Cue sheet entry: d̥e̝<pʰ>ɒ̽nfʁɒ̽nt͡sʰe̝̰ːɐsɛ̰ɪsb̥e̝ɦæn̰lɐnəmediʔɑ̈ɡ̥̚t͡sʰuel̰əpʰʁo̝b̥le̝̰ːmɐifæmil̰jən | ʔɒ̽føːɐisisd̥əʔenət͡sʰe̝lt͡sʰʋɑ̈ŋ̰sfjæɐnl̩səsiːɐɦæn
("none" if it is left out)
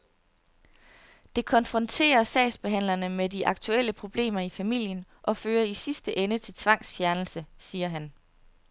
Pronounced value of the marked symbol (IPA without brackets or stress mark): kʰ